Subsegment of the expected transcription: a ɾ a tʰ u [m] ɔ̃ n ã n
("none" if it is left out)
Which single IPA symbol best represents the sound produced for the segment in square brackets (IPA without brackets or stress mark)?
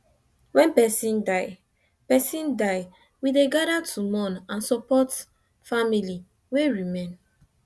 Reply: m